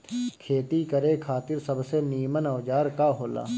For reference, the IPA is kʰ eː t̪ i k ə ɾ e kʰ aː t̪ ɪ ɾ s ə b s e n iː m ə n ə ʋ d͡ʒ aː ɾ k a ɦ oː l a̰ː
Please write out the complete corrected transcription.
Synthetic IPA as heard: kʰ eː t̪ i k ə ɾ e kʰ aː t̪ ɪ ɾ s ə b s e n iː m ə n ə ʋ d͡ʒ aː ɾ k a ɦ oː l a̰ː